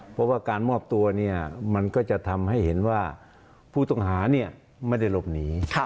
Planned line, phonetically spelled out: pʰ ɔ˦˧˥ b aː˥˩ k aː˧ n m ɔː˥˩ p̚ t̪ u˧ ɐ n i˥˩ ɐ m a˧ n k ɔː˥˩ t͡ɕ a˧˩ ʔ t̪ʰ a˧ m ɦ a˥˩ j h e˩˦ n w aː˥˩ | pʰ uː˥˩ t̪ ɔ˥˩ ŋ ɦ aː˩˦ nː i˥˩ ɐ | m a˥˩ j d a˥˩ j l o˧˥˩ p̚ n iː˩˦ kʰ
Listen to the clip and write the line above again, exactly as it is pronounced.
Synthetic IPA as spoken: pʰ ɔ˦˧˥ w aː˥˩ k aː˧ n m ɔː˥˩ p̚ t̪ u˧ ɐ n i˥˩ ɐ m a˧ n k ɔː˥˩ t͡ɕ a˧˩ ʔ t̪ʰ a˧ m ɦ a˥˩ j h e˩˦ n w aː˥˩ | pʰ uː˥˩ t̪ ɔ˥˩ ŋ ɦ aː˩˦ n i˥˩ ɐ | m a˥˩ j d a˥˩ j l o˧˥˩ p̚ n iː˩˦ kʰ